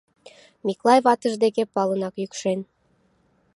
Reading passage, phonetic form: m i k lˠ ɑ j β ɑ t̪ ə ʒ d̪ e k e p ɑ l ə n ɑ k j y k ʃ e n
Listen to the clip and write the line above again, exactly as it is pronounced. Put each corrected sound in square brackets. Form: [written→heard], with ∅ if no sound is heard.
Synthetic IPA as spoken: m i k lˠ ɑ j β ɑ t̪ ə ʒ d̪ e k e p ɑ l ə n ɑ k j y k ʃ e n